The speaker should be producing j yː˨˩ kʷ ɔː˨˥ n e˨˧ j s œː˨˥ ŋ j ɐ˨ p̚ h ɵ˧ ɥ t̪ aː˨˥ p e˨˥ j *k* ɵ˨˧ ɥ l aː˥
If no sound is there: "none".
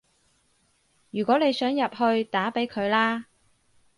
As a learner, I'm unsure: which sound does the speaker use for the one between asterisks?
kʰ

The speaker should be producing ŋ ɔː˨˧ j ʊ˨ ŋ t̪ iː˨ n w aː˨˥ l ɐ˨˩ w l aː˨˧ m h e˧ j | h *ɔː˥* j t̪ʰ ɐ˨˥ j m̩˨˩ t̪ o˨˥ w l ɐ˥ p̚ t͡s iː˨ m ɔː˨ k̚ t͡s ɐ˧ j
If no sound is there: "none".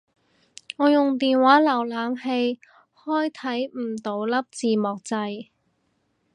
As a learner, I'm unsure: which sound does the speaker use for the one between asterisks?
ɔː˥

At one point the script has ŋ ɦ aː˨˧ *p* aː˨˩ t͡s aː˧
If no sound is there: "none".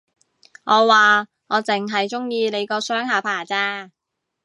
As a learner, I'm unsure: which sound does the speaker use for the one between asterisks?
pʰ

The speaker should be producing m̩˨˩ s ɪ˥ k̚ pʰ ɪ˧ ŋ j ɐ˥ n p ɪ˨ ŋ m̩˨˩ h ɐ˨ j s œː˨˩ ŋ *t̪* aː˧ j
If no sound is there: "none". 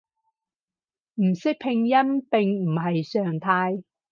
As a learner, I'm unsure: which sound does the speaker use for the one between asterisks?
t̪ʰ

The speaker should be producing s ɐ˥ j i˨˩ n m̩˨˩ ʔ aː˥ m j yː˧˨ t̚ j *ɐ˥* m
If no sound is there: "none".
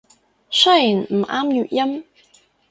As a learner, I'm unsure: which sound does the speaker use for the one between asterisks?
ɐ˥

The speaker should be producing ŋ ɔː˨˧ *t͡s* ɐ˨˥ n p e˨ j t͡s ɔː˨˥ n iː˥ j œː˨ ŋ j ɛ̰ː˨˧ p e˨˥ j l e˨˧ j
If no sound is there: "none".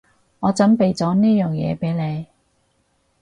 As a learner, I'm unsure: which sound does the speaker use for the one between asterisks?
t͡s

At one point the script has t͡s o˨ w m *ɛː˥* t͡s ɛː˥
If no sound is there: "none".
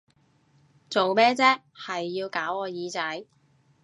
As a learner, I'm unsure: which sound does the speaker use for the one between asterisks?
ɛː˥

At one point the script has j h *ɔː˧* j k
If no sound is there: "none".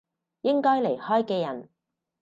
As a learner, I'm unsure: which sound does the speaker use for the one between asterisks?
ɔː˥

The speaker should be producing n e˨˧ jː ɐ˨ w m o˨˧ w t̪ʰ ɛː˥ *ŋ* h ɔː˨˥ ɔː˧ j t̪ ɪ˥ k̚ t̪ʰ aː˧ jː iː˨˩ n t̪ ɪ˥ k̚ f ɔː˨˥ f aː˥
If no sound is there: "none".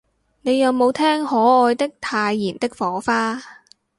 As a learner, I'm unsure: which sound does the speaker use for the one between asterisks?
ŋ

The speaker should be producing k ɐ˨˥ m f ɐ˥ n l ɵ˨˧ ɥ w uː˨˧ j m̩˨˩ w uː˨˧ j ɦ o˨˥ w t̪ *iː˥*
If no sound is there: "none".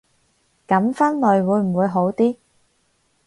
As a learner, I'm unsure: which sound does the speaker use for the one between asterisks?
iː˥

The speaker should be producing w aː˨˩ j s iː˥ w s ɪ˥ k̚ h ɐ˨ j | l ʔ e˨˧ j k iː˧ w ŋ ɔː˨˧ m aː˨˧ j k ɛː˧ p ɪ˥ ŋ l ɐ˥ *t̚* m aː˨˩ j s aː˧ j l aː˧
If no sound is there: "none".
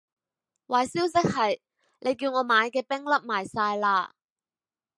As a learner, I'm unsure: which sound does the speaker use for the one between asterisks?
p̚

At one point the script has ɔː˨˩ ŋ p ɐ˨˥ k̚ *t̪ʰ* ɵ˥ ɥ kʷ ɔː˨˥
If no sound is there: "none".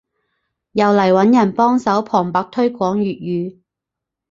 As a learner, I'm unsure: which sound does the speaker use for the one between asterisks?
t̪ʰ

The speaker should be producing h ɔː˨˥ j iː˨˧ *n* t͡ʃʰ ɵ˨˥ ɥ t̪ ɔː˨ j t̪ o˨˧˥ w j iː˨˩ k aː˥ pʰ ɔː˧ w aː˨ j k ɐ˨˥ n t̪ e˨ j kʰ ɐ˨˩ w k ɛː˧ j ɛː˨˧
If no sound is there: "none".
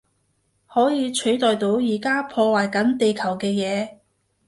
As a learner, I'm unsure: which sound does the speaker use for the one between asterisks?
none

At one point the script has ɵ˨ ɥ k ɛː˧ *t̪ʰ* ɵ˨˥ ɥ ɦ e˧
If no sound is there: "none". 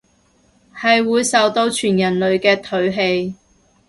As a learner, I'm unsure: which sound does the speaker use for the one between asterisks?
t̪ʰ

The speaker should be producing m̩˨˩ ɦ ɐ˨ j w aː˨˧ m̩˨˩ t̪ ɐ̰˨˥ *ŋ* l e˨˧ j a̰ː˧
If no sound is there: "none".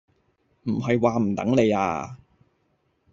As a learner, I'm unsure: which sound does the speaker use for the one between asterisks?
ŋ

